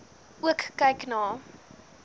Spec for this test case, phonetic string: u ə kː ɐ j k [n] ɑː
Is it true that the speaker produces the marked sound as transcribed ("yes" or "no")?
yes